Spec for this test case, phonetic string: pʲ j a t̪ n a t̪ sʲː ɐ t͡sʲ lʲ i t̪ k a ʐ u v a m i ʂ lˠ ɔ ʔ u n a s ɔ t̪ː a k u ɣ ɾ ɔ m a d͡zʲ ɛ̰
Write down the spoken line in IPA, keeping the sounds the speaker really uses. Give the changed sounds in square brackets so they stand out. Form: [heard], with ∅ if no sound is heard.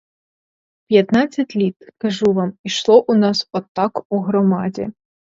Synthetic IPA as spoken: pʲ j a t̪ n a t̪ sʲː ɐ t͡sʲ lʲ i t̪ k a ʐ u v a m i ʂ lˠ ɔ ʔ u n a s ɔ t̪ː a k u ɣ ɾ ɔ m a d͡zʲ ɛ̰